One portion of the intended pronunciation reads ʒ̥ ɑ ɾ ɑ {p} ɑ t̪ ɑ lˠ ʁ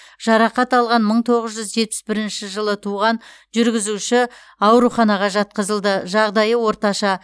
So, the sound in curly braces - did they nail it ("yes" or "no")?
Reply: no